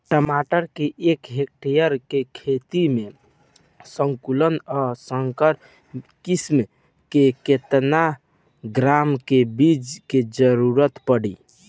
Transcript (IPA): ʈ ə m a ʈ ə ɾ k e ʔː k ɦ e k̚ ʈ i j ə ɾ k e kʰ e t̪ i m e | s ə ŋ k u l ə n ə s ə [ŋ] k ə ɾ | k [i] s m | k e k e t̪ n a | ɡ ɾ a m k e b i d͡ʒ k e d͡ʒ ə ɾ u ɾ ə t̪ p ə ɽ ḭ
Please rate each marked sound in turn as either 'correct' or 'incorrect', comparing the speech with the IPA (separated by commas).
correct, correct